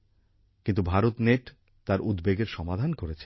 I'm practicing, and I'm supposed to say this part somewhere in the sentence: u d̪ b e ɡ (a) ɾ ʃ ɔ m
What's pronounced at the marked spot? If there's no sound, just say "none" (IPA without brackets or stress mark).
e